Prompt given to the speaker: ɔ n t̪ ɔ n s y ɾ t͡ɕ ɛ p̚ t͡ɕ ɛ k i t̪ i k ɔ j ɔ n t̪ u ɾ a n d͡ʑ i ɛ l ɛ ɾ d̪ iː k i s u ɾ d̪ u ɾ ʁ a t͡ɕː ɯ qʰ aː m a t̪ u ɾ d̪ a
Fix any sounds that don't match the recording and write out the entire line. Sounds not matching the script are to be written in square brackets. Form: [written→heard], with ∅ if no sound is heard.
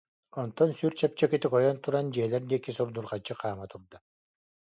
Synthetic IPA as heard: ɔ n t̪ ɔ n s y ɾ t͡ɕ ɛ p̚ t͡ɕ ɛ k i t̪ i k ɔ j ɔ n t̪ u ɾ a n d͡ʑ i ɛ l ɛ ɾ d̪ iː k i s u ɾ d̪ u ɾ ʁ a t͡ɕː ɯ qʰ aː m a t̪ u ɾ d̪ a